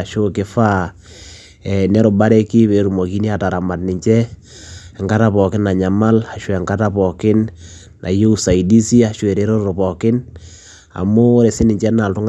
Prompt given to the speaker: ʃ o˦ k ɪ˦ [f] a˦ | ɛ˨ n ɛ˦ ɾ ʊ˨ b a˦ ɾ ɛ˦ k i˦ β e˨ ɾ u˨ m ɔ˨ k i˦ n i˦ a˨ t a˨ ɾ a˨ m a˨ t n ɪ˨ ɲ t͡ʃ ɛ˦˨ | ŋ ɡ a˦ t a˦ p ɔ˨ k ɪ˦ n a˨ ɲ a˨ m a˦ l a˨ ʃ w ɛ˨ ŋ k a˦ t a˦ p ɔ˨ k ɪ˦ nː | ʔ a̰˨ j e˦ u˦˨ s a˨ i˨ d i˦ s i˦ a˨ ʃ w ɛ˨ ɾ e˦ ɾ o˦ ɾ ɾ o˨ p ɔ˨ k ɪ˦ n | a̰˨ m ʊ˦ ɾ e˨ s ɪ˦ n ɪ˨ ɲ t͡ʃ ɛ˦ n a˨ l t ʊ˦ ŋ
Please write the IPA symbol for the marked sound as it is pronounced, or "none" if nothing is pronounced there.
f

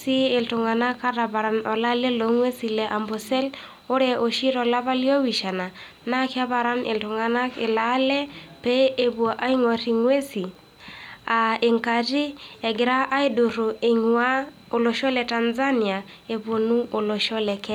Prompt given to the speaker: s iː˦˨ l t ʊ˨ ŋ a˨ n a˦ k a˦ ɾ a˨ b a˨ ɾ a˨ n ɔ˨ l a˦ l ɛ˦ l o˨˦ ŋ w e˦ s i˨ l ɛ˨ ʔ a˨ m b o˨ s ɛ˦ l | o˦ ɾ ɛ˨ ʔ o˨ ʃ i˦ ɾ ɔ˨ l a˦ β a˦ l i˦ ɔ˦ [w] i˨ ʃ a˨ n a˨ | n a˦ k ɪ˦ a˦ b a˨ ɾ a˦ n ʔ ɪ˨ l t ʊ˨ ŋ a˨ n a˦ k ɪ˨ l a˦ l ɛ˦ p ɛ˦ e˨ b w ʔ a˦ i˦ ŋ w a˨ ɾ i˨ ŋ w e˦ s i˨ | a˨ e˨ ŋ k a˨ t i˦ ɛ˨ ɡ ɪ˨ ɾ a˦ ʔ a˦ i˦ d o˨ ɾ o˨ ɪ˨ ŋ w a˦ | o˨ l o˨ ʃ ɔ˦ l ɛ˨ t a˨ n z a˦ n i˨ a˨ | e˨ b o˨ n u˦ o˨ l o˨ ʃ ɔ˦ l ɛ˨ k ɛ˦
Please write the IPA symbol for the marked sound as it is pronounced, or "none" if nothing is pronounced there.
w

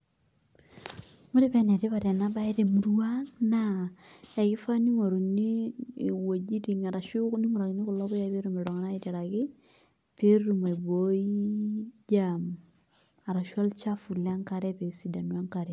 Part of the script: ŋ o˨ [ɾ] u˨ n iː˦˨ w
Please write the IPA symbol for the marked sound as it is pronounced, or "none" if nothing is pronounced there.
ɾ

